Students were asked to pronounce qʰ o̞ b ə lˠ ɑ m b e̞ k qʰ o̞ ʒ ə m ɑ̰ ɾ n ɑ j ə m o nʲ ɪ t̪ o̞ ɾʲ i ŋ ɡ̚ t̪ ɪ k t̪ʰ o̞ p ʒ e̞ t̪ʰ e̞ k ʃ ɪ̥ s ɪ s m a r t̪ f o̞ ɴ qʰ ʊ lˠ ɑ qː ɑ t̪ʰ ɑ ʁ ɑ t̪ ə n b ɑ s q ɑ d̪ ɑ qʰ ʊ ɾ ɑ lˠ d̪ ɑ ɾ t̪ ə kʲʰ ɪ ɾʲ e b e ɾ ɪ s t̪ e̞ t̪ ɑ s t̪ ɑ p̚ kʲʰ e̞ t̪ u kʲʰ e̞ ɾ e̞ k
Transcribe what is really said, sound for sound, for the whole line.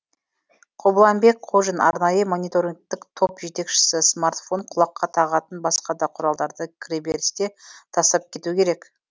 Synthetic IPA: qʰ o̞ b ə lˠ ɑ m b e̞ k qʰ o̞ ʒ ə n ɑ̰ ɾ n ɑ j ə m o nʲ i t̪ o̞ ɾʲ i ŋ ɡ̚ t̪ ɪ k t̪ʰ o̞ p ʒ e̞ t̪ e̞ k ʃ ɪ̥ s ɪ s m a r t̪ f o̞ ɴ qʰ ʊ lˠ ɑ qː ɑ t̪ʰ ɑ ʁ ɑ t̪ ə n b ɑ s q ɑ d̪ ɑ qʰ ʊ ɾ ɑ lˠ d̪ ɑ ɾ d̪ ə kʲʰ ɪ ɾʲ e b e ɾ ɪ s t̪ e̞ t̪ʰ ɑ s t̪ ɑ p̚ kʲʰ e̞ t̪ u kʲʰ e̞ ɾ e̞ k

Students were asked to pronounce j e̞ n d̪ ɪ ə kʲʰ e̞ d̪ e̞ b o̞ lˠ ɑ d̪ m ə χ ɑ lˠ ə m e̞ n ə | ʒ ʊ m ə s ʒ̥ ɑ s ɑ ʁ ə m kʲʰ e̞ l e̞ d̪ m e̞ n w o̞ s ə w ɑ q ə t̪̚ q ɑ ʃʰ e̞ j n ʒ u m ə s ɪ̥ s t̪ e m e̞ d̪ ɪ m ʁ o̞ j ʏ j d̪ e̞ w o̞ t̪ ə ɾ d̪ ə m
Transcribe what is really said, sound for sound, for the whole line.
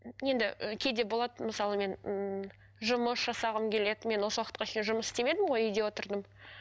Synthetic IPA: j e̞ n d̪ ɪ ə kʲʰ e̞ d̪ e̞ b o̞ lˠ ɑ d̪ m ə s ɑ lˠ ə m e̞ n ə | ʒ ʊ m ə s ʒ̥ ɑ s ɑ ʁ ə m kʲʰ e̞ l e̞ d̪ m e̞ n w o̞ s ə w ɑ q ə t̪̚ q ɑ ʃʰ e̞ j n ʒ ʊ m ə s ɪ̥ s t̪ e m e̞ d̪ ɪ m ʁ o̞ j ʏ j d̪ e̞ w o̞ t̪ ə ɾ d̪ ə m

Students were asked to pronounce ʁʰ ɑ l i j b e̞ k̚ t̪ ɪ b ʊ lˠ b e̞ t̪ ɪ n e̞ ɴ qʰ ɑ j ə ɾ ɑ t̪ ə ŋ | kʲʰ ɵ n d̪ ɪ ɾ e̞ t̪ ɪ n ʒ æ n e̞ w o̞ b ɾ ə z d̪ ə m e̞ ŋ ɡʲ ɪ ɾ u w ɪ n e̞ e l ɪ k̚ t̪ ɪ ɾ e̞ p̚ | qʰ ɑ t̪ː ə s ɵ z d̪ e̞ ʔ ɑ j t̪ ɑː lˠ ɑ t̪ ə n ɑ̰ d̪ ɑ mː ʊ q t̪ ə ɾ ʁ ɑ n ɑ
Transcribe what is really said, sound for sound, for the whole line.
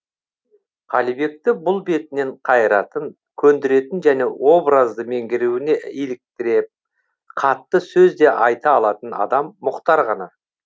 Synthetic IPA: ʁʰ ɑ l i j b e̞ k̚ t̪ ɪ b ʊ lˠ b e̞ t̪ ɪ n e̞ ɴ qʰ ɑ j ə ɾ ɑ t̪ ə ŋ | kʲʰ ɵ n d̪ ɪ ɾ e̞ t̪ ɪ n ʒ æ n e̞ w o̞ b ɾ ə z d̪ ə m e̞ ŋ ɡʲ ɪ ɾ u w ɪ n e̞ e l ɪ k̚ t̪ ɪ ɾ e̞ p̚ | qʰ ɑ t̪ː ə s ɵ z d̪ e̞ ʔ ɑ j t̪ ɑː lˠ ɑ t̪ ə n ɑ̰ d̪ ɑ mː ʊ q t̪ ɑ ɾ ʁ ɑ n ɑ

